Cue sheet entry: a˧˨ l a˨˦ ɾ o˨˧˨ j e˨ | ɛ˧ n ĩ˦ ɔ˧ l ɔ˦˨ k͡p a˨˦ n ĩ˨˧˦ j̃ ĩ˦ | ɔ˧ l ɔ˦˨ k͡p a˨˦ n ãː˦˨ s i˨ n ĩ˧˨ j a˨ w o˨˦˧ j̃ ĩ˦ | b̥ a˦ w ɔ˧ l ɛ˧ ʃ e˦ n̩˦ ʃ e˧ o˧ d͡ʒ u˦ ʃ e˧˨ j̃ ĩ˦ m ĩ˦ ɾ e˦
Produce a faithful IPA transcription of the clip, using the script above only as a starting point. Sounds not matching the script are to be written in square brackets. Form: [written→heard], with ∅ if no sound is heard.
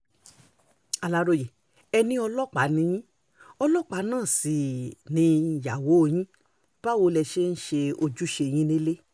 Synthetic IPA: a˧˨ l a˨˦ ɾ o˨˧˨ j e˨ | ɛ˧ n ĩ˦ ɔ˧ l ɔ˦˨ k͡p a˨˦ n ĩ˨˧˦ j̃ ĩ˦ | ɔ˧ l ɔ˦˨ k͡p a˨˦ n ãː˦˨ s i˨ n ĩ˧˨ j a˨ w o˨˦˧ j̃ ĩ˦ | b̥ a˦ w [ɔ˧→o˧] l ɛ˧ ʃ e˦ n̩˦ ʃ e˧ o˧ d͡ʒ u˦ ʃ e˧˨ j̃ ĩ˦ [m→n] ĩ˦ [ɾ→l] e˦